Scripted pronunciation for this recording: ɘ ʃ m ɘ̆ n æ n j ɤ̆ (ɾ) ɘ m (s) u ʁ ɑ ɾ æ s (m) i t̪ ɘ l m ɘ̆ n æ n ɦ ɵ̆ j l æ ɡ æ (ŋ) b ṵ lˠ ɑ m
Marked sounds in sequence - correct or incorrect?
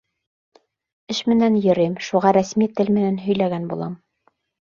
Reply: correct, incorrect: ʃ, correct, incorrect: n

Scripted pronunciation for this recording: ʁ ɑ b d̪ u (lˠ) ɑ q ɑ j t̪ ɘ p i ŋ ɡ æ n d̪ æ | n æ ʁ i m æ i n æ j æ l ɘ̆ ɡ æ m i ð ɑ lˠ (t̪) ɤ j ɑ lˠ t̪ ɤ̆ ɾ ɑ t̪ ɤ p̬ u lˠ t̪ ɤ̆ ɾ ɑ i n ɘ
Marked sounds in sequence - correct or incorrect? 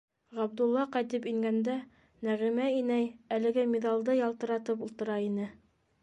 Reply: incorrect: lˠː, incorrect: d̪

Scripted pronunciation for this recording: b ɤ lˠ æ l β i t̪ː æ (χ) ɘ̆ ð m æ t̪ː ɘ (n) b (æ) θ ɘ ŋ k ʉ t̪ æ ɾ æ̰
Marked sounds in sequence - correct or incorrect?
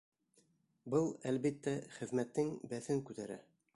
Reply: correct, incorrect: ŋ, correct

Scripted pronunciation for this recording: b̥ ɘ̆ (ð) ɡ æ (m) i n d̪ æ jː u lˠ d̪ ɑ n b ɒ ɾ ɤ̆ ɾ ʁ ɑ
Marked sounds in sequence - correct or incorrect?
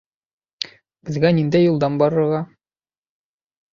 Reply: incorrect: z, incorrect: n

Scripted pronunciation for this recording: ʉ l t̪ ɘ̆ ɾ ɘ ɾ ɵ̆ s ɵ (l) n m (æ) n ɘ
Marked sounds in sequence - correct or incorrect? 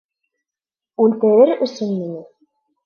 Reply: incorrect: none, incorrect: i

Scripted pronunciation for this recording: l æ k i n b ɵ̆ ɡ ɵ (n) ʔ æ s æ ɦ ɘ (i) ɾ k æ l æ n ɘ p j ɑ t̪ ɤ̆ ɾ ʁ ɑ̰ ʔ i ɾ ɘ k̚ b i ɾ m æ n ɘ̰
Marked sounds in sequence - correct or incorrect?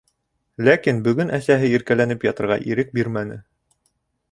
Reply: correct, correct

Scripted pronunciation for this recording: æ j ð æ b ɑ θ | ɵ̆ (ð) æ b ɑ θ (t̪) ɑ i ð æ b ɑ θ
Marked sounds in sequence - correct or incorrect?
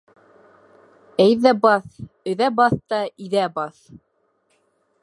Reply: correct, correct

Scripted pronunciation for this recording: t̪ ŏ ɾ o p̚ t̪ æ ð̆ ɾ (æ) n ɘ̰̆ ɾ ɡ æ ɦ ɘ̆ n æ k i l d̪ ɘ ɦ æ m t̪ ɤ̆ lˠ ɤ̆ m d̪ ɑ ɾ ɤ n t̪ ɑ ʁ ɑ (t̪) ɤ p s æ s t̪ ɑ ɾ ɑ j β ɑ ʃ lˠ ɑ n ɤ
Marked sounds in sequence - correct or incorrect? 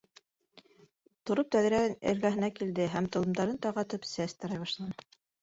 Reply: correct, correct

